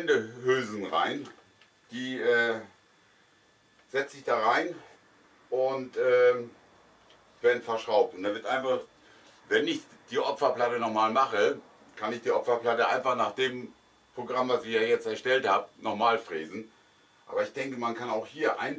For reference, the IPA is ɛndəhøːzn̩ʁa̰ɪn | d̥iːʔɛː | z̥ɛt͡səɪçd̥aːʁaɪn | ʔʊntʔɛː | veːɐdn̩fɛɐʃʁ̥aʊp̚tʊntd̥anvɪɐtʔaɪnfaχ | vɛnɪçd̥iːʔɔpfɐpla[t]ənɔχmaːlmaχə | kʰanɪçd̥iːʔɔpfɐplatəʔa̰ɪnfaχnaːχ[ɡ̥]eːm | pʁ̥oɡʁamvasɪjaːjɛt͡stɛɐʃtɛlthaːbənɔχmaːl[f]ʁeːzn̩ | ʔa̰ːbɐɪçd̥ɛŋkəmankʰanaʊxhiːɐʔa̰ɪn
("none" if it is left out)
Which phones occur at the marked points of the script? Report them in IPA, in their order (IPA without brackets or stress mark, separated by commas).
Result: t, d̥, f